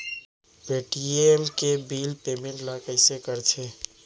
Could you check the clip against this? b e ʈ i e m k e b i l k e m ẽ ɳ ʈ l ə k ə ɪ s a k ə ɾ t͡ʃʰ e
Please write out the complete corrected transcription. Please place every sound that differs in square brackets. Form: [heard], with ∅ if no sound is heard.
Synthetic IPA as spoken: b e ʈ i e m k e b i l [p] e m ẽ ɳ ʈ l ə k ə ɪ s [e] k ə ɾ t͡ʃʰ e